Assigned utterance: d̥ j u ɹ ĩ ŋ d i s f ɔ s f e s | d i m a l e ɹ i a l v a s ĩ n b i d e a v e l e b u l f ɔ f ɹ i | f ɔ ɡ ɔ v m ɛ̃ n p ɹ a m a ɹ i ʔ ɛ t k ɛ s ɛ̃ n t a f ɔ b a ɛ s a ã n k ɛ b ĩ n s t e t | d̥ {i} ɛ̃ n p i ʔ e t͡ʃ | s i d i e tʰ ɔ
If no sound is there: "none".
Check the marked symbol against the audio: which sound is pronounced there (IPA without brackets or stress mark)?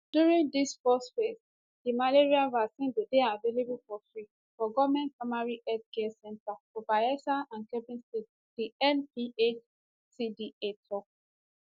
i